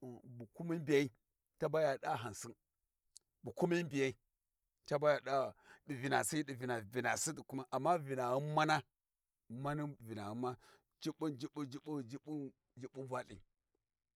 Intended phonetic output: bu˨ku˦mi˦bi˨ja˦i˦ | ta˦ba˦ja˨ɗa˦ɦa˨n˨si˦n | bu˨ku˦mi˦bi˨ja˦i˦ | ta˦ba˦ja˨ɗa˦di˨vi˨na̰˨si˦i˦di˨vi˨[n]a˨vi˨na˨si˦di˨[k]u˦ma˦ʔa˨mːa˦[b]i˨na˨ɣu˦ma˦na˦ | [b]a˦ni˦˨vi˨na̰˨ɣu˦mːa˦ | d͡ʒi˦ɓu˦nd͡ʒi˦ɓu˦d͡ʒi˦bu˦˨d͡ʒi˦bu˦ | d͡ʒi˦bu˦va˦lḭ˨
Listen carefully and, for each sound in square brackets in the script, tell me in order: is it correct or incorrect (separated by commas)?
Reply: correct, correct, incorrect, incorrect